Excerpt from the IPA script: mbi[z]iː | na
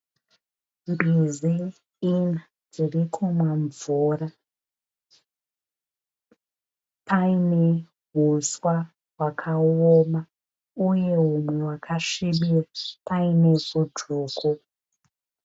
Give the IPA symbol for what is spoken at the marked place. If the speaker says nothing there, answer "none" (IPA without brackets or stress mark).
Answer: z